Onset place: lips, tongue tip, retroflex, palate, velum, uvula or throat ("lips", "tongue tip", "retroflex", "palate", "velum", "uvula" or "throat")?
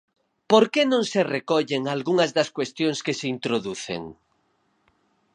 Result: lips